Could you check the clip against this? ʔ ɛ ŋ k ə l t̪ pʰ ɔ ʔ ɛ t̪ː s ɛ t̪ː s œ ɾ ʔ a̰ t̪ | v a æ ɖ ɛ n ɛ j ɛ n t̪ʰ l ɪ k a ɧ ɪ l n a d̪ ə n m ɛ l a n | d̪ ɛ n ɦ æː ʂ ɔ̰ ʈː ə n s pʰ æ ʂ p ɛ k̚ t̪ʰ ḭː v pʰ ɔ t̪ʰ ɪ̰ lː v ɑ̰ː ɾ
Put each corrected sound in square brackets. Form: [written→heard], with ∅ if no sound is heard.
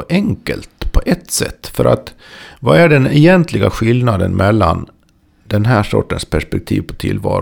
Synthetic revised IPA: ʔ ɛ ŋ k ə l t̪ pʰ ɔ ʔ ɛ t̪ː s ɛ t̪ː [s→f] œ ɾ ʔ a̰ t̪ | v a æ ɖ ɛ n ɛ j ɛ n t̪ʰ l ɪ [k→ɡ] a ɧ ɪ l n a d̪ ə n m ɛ [l→lː] a n | d̪ ɛ n ɦ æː ʂ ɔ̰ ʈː ə n s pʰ æ ʂ p ɛ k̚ t̪ʰ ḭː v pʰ ɔ t̪ʰ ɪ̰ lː v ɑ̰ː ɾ